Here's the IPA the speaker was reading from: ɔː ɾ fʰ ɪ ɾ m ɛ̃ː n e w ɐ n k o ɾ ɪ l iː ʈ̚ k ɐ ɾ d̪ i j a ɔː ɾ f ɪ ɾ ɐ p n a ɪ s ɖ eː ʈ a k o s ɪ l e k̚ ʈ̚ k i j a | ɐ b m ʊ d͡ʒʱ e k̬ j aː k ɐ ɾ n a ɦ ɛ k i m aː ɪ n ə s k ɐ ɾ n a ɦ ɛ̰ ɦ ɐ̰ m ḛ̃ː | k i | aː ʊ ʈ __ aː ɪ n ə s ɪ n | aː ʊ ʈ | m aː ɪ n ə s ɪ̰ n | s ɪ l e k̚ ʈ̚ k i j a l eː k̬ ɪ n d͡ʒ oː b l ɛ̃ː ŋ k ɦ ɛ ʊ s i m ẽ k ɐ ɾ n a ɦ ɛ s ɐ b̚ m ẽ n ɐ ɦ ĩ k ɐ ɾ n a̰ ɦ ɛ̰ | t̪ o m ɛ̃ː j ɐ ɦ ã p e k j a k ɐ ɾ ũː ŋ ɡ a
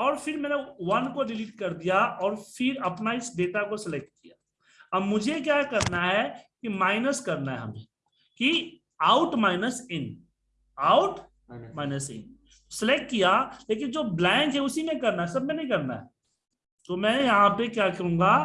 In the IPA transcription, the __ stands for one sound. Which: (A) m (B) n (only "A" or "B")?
A